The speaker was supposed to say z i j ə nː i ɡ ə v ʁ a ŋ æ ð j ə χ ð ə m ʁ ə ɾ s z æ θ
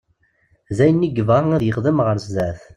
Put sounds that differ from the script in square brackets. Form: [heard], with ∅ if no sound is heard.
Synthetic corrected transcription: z [æ] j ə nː i ɡ ə v ʁ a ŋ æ ð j ə χ ð ə m ʁ ə ɾ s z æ θ